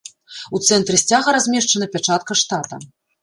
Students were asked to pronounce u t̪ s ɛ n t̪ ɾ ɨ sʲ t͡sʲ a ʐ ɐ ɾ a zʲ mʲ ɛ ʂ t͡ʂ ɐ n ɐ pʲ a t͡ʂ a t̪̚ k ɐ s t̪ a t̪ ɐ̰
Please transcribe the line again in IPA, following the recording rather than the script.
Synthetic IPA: u t̪ s ɛ n t̪ ɾ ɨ sʲ t͡sʲ a ɣ ɐ ɾ a zʲ mʲ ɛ ʂ t͡ʂ ɐ n ɐ pʲ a t͡ʂ a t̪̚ k ɐ ʂ t̪ a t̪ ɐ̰

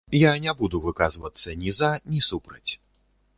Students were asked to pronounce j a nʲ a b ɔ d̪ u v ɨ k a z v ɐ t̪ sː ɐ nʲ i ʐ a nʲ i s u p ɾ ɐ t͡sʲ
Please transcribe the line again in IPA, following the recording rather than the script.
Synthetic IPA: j a nʲ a b u d̪ u v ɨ k a z v ɐ t̪ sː ɐ nʲ i z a nʲ i s u p ɾ ɐ t͡sʲ

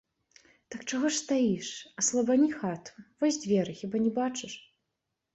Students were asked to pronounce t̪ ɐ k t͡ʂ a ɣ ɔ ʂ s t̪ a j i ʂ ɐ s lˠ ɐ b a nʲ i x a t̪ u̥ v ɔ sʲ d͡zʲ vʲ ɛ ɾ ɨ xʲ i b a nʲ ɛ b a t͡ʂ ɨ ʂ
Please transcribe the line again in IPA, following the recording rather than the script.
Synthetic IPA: t̪ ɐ k t͡ʂ a ɣ ɔ ʂ s t̪ a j i ʂ ɐ s lˠ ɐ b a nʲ i x a t̪ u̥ v ɔ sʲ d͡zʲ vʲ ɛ ɾ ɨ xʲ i b a nʲ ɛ b a t͡ʂ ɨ ʂ

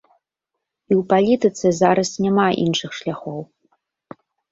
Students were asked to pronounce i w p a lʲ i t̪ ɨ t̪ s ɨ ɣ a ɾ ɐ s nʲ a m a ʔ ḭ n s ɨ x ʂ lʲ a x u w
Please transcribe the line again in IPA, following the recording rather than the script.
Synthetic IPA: i w p a lʲ i t̪ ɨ t̪ s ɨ z a ɾ ɐ s nʲ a m a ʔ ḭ n ʂ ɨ x ʂ lʲ a x ɔ w

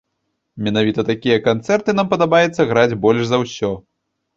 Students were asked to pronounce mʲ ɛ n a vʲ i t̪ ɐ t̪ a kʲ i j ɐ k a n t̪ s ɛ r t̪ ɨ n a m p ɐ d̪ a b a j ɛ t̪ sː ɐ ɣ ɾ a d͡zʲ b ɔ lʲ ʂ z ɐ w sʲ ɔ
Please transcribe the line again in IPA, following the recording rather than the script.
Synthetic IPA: mʲ ɛ n a vʲ i t̪ ɐ t̪ a kʲ i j ɐ k a n t̪ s ɛ r t̪ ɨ n a m p ɐ d̪ a b a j ɛ t̪ sː ɐ ɣ ɾ a d͡zʲ b ɔ lʲ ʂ z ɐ w sʲ ɔ

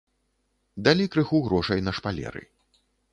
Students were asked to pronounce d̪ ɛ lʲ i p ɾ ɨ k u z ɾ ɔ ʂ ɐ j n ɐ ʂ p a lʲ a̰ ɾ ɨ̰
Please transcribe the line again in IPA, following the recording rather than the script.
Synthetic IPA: d̪ a lʲ i k ɾ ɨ x u ɣ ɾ ɔ ʂ ɐ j n ɐ ʂ p a lʲ ɛ̰ ɾ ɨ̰

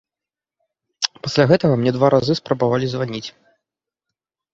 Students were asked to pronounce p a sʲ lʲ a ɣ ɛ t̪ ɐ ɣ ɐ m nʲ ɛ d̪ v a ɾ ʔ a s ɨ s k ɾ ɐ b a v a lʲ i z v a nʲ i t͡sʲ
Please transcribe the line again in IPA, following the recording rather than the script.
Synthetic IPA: p a sʲ lʲ a ɣ ɛ t̪ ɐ ɣ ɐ m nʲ ɛ d̪ v a ɾ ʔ a z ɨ s p ɾ ɐ b a v a lʲ i z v a nʲ i t͡sʲ

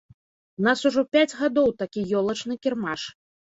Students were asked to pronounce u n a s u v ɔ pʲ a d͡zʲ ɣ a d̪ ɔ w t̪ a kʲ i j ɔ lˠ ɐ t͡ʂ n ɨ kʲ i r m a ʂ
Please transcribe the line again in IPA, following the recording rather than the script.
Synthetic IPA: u n a s u ʐ ɔ pʲ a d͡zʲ ɣ a d̪ ɔ w t̪ a kʲ i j ɔ lˠ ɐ t͡ʂ n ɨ kʲ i r m a ʂ

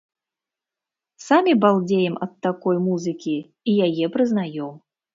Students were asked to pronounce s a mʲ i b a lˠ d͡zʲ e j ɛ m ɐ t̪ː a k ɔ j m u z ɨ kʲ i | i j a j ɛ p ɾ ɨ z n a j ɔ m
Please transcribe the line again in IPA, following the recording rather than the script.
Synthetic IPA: s a mʲ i b a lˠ d͡zʲ e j ɛ m ɐ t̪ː a k ɔ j m u z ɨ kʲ i | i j a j ɛ p ɾ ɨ z n a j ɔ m

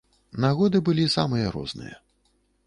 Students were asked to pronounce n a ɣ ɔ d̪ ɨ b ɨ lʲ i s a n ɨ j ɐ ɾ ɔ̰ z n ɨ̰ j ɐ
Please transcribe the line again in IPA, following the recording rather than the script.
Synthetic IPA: n a ɣ ɔ d̪ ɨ b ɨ lʲ i s a m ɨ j ɐ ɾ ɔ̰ z n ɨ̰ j ɐ

